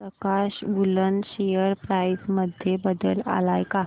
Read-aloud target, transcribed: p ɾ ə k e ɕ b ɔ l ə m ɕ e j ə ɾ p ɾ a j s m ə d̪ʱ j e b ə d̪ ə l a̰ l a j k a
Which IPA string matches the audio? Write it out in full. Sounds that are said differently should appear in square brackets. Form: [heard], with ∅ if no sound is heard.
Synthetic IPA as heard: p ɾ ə k [a] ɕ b [u] l ə [n] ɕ e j ə ɾ p ɾ a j s m ə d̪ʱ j e b ə d̪ ə l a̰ l a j k a